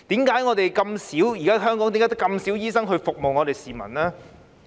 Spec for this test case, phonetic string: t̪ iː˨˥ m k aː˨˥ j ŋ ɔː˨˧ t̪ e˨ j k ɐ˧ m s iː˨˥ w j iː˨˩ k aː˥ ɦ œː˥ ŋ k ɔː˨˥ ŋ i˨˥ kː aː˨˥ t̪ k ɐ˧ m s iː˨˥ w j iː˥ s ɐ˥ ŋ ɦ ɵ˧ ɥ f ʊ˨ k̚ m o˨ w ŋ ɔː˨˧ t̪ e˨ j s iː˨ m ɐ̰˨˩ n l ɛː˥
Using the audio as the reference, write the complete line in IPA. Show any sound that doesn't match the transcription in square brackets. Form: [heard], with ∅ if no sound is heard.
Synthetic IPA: t̪ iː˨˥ m k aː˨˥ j ŋ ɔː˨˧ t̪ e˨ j k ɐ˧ m s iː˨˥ w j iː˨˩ k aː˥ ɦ œː˥ ŋ k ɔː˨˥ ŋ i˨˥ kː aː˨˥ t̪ k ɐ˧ m s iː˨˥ w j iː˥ s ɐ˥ ŋ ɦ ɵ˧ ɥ f ʊ˨ k̚ m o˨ w ŋ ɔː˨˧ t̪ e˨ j s iː˨ m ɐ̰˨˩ n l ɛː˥